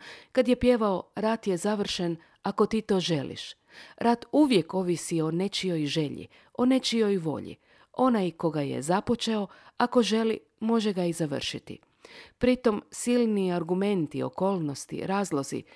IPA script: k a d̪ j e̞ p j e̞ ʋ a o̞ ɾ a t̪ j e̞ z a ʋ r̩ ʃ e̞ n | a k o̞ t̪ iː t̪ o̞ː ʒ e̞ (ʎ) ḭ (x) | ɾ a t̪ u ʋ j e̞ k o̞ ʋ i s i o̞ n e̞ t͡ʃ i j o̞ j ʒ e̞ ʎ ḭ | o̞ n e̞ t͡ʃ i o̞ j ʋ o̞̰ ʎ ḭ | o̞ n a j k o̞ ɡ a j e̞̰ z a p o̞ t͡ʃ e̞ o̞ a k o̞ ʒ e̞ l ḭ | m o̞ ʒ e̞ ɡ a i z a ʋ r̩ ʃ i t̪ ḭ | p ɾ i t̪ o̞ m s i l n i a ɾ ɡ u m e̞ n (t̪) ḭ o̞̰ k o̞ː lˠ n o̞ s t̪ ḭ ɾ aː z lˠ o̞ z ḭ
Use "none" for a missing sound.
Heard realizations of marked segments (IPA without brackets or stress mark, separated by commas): l, ʃ, t̪